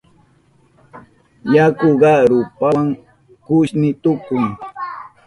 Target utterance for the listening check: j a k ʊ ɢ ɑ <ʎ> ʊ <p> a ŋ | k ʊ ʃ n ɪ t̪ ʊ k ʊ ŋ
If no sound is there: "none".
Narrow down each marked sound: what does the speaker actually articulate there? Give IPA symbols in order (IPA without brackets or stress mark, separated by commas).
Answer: ɾ, p